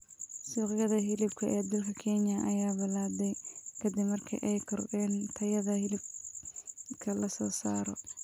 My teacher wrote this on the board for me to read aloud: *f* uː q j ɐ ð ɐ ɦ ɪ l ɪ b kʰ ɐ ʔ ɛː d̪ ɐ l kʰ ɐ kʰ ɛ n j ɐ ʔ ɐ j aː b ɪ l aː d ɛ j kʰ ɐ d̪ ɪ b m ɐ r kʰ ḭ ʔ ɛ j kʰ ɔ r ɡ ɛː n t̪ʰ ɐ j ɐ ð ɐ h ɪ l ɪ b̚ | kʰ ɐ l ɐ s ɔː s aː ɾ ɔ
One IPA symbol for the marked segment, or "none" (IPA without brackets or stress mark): s